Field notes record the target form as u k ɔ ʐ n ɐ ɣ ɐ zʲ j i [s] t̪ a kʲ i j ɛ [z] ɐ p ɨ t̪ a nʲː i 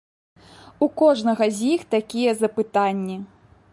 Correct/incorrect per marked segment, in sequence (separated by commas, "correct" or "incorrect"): incorrect, correct